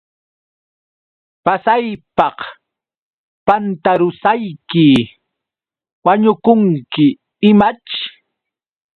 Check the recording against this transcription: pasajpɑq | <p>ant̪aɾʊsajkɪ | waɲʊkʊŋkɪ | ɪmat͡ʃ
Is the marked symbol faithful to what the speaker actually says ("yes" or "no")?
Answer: yes